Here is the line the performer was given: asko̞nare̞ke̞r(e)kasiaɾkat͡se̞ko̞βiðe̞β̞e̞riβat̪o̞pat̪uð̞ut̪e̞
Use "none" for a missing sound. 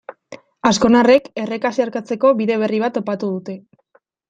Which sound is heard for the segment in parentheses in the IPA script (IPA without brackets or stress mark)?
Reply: e